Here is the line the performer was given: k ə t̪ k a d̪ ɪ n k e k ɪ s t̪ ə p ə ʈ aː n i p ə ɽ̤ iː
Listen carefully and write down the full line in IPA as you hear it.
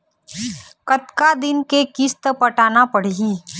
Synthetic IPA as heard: k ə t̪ k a d̪ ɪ n k e k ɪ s t̪ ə p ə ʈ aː n a p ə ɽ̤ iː